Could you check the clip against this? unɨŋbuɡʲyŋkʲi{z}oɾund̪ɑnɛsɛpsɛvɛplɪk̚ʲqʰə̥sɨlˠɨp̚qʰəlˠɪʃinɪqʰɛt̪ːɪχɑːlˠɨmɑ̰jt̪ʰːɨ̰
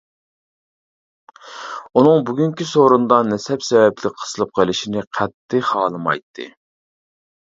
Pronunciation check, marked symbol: incorrect: s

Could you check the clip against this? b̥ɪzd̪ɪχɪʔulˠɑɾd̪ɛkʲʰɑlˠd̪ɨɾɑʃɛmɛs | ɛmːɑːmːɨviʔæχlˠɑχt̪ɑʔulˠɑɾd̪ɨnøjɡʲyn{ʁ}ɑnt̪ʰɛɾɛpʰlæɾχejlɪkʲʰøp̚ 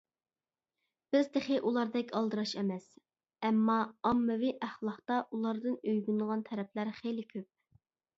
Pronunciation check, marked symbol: correct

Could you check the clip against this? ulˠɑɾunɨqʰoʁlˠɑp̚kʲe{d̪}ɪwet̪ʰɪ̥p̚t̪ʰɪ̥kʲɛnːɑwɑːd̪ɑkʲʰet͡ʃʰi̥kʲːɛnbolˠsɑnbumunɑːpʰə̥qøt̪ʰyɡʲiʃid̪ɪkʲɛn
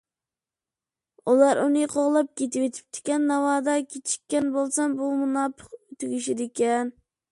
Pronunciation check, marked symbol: incorrect: t̪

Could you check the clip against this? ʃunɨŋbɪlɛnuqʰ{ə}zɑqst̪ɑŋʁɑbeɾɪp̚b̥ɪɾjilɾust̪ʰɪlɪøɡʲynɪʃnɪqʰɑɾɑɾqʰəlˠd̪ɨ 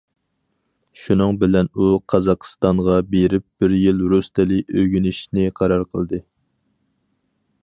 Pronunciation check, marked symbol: incorrect: ɑ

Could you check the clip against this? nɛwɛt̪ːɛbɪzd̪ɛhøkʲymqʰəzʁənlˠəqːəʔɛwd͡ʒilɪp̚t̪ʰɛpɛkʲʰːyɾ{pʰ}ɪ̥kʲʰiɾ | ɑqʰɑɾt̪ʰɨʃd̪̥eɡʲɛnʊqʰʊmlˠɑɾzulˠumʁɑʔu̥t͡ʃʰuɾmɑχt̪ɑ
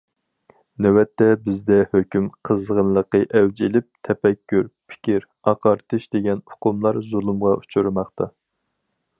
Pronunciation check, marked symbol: correct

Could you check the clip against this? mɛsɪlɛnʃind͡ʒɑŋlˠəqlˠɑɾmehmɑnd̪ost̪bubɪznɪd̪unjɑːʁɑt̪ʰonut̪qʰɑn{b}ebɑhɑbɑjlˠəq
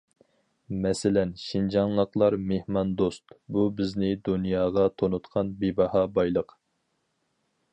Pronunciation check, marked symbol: correct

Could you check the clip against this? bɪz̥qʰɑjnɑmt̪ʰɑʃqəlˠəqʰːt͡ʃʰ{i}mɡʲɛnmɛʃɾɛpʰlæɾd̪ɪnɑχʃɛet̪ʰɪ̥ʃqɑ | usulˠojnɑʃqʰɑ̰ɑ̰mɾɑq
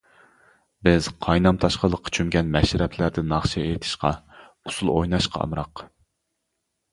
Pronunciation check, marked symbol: incorrect: y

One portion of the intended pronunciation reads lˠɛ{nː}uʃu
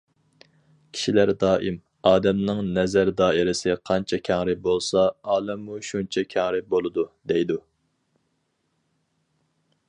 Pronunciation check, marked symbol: incorrect: mː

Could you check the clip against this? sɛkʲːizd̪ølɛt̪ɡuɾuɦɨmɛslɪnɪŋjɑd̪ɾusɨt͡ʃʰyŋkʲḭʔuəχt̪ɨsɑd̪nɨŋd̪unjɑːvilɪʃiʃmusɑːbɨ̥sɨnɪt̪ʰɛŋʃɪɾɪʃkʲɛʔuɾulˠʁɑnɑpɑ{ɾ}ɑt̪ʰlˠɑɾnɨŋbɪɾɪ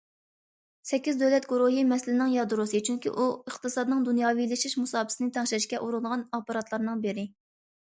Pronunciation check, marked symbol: correct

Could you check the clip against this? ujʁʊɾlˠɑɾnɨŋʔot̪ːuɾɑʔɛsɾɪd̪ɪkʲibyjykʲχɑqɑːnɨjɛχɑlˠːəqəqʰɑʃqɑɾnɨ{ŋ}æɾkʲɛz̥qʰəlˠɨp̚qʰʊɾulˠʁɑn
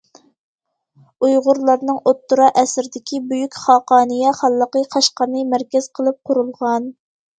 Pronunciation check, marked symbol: incorrect: m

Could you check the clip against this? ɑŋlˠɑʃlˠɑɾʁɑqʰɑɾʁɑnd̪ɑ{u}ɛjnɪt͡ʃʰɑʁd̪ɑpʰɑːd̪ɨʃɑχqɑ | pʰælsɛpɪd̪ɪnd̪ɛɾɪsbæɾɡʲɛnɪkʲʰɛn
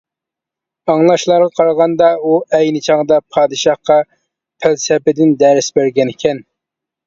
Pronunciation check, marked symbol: correct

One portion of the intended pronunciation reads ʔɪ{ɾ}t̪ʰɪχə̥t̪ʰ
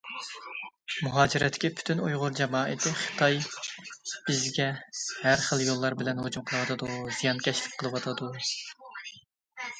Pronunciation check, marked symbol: incorrect: none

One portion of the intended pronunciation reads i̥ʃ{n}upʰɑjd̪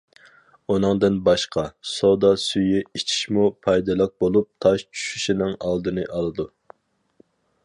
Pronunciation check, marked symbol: incorrect: m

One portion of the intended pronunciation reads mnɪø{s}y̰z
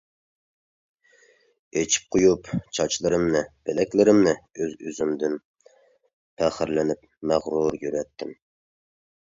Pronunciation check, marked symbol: incorrect: z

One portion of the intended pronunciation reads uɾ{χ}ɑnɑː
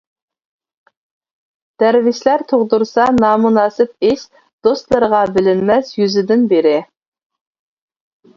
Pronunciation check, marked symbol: incorrect: s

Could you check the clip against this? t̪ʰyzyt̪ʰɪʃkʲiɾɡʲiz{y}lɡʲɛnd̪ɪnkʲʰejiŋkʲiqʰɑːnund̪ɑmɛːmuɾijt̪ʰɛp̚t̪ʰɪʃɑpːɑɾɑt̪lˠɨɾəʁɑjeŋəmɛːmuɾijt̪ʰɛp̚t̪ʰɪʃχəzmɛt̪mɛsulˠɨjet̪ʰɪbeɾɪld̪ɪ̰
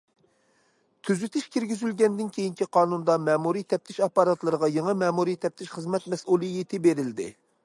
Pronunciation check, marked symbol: correct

